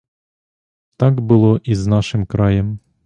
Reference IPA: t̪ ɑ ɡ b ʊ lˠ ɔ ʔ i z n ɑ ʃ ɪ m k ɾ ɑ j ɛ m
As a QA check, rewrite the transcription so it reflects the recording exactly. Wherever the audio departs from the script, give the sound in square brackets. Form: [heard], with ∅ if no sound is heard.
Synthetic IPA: t̪ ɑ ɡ b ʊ lˠ ɔ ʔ i z n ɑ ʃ ɪ m k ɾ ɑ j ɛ m